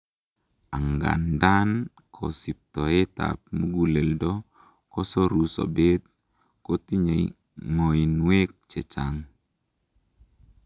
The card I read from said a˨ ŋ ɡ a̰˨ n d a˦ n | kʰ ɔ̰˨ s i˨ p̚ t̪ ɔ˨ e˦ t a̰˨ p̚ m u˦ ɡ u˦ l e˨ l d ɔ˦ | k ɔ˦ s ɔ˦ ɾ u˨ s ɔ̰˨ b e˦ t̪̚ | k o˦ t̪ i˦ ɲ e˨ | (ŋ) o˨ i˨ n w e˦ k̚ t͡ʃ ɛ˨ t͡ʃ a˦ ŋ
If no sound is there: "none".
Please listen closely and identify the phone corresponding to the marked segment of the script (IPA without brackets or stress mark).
ŋ